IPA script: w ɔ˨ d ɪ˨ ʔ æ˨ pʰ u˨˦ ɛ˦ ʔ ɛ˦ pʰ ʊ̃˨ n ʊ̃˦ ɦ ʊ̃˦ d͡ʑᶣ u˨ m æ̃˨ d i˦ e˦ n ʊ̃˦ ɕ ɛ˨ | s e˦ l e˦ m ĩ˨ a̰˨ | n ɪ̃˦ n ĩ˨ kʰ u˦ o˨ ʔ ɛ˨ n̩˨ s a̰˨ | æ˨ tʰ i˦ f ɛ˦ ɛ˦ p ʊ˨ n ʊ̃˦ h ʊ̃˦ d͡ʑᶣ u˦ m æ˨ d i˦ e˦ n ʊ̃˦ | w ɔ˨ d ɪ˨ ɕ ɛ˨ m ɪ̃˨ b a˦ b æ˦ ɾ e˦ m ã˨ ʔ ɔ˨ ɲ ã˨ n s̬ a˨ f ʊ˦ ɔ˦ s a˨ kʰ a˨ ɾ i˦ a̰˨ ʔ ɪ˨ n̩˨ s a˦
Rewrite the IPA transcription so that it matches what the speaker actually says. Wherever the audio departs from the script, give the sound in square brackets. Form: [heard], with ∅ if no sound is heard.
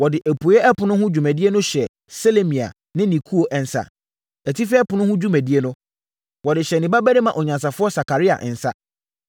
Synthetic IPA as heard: w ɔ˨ d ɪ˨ ʔ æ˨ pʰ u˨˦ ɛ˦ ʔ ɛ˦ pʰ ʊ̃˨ n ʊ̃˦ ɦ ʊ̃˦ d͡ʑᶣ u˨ m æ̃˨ d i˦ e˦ n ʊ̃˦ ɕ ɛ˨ | s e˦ l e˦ m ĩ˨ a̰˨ | n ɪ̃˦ n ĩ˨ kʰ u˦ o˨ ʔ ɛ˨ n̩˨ s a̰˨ | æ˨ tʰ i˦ f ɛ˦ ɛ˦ p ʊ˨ n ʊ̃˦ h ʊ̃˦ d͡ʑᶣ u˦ m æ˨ d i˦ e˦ n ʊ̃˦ | w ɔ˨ d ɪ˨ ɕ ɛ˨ [n] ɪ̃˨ b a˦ b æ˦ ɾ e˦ m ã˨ ʔ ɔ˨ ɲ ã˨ n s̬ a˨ f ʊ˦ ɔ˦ s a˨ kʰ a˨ ɾ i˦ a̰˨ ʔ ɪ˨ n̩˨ s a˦